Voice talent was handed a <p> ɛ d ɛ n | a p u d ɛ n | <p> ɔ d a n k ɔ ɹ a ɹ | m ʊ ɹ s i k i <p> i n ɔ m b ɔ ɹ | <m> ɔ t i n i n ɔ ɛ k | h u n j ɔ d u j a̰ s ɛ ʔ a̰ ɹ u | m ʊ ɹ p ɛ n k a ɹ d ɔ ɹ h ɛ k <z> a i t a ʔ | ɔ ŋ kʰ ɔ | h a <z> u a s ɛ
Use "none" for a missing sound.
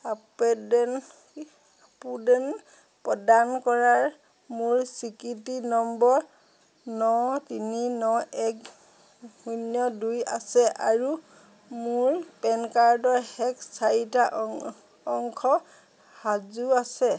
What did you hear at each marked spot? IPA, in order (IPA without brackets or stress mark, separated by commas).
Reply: p, p, t, n, s, z